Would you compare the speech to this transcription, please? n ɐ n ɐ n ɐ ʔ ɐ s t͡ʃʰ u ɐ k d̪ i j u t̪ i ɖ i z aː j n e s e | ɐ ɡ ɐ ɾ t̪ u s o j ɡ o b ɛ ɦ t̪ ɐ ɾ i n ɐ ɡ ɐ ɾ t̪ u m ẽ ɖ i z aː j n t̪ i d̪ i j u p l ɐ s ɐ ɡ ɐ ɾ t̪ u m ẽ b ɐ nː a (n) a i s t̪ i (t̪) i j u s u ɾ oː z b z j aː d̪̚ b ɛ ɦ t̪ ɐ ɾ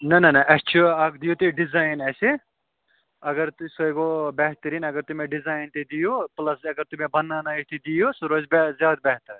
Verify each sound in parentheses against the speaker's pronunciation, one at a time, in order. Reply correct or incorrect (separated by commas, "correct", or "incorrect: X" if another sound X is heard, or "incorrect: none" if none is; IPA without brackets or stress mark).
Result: correct, incorrect: d̪